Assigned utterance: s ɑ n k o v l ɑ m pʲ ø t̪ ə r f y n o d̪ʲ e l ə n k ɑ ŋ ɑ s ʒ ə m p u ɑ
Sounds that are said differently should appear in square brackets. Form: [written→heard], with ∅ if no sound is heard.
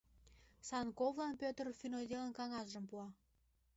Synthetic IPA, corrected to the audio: s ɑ n k o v l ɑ [m→n] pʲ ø t̪ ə r f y n o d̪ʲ e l ə n k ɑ ŋ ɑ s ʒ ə m p u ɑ